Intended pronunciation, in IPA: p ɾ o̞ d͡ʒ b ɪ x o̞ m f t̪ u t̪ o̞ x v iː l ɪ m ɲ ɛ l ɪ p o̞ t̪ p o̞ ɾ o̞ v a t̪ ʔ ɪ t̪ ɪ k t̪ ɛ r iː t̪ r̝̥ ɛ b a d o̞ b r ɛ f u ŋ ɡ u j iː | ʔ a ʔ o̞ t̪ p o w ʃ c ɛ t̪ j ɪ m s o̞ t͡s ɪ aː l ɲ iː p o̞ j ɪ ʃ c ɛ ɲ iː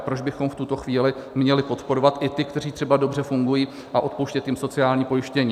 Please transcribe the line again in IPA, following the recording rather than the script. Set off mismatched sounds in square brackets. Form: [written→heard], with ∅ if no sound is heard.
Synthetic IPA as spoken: p ɾ o̞ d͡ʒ b ɪ x o̞ m f t̪ u t̪ o̞ x v iː l ɪ m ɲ ɛ l ɪ p o̞ t̪ p o̞ ɾ o̞ v a t̪ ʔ ɪ t̪ ɪ k t̪ ɛ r iː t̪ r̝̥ ɛ b a d o̞ b r ɛ f u ŋ ɡ u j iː | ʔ a ʔ o̞ t̪ p o w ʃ c ɛ t̪ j ɪ m s o̞ t͡s ɪ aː l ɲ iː p o̞ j ɪ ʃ c ɛ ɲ iː

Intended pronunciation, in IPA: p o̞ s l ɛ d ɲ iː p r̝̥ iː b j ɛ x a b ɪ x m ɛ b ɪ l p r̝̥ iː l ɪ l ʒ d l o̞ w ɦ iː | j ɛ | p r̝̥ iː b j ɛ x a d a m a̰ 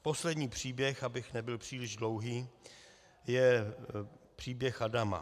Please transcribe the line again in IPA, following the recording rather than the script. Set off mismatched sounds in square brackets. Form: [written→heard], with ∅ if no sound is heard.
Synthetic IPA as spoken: p o̞ s l ɛ d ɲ iː p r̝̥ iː b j ɛ x a b ɪ x [m→n] ɛ b ɪ l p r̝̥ iː l ɪ [l→∅] ʒ d l o̞ w ɦ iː | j ɛ | p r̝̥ iː b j ɛ x a d a m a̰

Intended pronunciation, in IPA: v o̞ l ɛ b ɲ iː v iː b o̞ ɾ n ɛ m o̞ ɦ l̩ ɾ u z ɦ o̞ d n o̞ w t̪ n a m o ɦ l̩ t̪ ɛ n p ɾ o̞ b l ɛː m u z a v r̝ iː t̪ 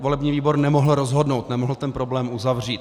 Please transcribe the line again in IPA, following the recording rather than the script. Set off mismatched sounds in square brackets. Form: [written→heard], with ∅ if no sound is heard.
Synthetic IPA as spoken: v o̞ l ɛ b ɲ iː v iː b o̞ ɾ n ɛ m o̞ ɦ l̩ ɾ [u→o] z ɦ o̞ d n o̞ w t̪ n [a→ɛ] m o ɦ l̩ t̪ ɛ n p ɾ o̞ b l ɛː m u z a v r̝ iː t̪

